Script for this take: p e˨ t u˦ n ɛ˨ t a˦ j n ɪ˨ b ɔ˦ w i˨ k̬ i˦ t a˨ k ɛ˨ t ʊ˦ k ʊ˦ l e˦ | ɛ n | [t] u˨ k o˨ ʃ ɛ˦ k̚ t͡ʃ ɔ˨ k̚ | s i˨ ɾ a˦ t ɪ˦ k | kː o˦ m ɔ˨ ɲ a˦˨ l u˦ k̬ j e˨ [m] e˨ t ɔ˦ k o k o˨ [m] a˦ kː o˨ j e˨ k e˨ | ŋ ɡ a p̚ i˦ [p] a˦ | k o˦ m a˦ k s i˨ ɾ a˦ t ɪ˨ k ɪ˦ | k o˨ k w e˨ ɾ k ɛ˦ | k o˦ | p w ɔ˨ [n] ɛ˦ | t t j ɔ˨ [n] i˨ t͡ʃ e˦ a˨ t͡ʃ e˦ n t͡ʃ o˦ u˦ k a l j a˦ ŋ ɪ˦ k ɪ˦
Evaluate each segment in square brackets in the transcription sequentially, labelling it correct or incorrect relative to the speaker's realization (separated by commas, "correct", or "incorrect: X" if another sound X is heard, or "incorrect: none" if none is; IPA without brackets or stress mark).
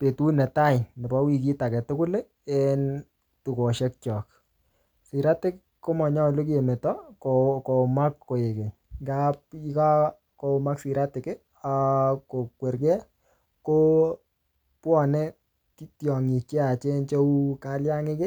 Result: correct, correct, correct, incorrect: k, correct, incorrect: ŋ